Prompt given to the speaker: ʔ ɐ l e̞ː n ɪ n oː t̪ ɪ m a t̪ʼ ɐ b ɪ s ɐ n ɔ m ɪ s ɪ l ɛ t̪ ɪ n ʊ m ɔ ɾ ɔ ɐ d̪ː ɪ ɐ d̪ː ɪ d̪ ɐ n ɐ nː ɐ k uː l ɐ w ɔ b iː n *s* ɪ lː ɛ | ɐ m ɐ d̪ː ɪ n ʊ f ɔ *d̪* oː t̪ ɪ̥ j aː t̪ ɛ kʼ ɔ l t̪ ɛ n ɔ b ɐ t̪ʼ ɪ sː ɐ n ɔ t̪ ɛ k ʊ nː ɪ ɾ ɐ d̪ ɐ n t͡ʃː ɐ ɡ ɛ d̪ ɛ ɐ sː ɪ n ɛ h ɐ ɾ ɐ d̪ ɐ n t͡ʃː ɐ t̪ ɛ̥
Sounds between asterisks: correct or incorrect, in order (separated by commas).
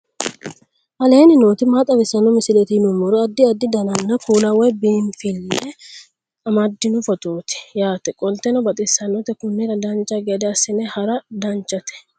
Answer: incorrect, incorrect